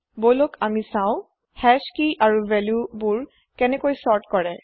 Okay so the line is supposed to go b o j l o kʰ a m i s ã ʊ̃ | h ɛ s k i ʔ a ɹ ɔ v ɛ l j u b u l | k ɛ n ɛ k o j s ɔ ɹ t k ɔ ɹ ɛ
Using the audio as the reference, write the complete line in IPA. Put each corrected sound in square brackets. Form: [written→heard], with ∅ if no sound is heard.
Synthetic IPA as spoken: b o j l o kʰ a m i s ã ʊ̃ | h ɛ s k i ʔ a ɹ [ɔ→u] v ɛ l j u b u [l→ɹ] | k ɛ n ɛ k o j s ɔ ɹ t k ɔ ɹ ɛ